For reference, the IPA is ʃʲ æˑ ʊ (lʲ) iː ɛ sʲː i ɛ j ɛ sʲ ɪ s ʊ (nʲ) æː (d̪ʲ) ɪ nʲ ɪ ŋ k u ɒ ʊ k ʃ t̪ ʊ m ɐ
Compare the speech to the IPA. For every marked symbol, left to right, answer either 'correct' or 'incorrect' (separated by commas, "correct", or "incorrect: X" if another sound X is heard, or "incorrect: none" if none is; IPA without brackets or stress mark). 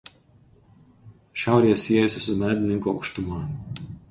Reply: incorrect: ɾʲ, incorrect: mʲ, correct